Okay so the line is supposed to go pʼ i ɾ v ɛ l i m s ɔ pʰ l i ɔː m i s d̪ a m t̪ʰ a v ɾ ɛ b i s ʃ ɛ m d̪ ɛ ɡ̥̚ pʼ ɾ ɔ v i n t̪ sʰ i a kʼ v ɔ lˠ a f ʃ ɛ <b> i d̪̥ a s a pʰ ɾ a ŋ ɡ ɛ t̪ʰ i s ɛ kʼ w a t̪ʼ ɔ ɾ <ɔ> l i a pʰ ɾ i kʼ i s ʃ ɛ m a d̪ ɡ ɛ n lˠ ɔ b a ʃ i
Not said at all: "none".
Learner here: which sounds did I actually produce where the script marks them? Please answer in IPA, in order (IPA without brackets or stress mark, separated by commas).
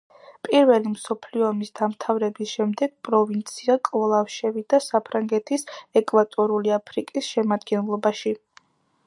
v, u